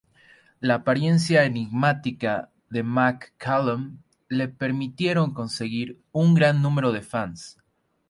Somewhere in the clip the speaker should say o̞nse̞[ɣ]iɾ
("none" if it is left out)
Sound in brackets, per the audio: ɣ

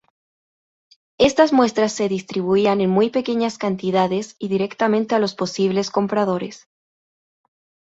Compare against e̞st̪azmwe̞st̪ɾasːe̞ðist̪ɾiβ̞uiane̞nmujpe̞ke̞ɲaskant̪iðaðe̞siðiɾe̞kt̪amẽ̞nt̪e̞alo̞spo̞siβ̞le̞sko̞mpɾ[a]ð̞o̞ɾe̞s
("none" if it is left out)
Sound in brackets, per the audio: a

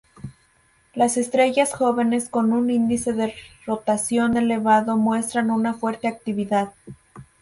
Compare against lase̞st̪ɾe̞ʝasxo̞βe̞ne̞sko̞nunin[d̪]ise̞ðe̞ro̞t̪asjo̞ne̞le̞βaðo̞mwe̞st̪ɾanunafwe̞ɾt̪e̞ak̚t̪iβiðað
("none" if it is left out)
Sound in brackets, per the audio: d̪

